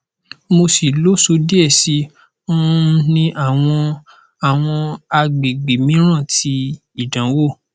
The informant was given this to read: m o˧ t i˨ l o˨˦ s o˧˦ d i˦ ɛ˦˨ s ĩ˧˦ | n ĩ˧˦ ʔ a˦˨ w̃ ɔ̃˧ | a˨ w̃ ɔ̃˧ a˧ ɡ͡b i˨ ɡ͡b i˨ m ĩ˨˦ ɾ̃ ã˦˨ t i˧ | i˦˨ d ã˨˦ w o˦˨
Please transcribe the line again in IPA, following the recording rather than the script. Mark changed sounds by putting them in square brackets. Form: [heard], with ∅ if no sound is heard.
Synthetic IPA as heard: m o˧ [s] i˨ l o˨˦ s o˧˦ d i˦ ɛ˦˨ s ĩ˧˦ | n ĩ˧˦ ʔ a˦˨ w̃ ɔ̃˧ | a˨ w̃ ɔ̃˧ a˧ ɡ͡b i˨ ɡ͡b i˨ m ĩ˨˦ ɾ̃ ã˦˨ t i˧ | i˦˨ d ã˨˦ w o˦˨

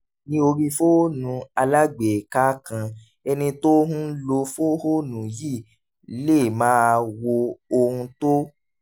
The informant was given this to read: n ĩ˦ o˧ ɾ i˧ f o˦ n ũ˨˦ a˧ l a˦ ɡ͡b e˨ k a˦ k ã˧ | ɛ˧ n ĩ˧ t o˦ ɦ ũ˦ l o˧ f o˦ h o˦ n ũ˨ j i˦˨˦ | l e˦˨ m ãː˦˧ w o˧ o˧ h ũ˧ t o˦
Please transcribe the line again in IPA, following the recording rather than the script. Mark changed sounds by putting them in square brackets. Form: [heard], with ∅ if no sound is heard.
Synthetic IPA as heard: n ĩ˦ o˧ ɾ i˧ f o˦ n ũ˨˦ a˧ l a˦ ɡ͡b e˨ k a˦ k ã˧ | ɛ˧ n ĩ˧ t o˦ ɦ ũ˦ l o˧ f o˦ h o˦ n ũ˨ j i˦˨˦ | l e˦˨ m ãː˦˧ w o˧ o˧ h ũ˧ t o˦

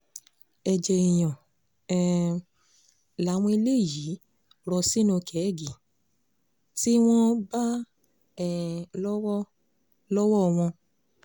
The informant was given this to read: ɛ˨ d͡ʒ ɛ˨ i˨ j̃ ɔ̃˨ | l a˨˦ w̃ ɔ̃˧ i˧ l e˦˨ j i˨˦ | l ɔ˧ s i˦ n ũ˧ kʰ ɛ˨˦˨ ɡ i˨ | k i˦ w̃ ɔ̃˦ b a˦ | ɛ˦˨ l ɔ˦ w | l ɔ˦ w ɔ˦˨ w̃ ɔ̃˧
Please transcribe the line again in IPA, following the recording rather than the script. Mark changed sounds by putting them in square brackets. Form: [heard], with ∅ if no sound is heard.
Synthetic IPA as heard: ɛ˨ d͡ʒ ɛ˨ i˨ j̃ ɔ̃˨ | l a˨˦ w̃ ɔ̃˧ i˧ l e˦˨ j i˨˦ | [ɾ] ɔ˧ s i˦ n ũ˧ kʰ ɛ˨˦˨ ɡ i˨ | [t] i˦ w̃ ɔ̃˦ b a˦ | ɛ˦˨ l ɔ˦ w | l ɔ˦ w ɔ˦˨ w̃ ɔ̃˧

